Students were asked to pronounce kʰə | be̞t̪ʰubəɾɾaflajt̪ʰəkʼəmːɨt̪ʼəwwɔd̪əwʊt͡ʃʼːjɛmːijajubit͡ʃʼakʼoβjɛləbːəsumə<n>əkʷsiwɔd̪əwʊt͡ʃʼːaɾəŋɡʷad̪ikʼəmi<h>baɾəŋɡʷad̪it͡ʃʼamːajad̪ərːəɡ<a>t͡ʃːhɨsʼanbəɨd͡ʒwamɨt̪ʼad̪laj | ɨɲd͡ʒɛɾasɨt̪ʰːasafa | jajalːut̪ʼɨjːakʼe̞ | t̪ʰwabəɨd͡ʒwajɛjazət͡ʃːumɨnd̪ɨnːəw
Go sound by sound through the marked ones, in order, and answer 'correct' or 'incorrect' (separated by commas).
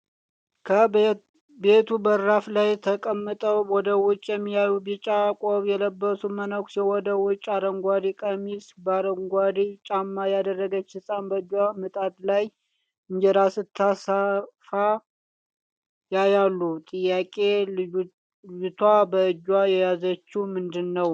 correct, incorrect, incorrect